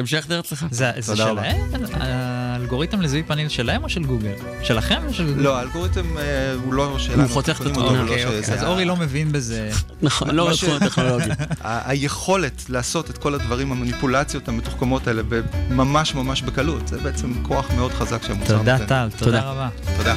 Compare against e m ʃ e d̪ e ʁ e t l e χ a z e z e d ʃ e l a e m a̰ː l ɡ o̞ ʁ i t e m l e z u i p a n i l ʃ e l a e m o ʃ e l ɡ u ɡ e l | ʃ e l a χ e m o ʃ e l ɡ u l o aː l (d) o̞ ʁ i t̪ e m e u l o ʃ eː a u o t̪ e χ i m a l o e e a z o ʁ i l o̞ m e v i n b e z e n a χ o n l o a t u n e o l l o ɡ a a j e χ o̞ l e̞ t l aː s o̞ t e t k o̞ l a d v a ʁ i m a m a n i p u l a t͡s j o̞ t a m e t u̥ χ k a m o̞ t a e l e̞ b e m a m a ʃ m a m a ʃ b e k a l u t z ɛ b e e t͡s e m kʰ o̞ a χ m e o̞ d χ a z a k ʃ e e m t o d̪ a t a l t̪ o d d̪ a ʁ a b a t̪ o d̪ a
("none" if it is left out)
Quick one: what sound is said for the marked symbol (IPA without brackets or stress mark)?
ɡ